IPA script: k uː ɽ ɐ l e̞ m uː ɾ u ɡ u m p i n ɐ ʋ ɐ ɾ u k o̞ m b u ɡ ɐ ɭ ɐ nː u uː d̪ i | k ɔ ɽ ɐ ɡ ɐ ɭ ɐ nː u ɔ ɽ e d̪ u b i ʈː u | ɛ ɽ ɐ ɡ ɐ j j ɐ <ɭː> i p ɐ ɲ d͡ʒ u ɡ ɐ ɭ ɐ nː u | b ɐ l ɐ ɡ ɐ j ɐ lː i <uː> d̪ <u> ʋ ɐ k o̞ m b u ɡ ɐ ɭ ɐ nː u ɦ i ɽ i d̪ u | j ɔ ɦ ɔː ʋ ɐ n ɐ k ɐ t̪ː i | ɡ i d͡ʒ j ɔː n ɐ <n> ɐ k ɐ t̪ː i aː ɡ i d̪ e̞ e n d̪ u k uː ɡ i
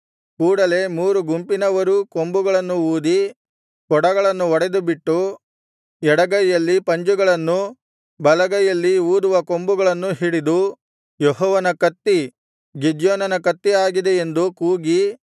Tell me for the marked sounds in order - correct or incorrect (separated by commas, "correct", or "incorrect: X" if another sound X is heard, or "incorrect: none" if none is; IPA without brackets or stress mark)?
incorrect: lː, correct, correct, correct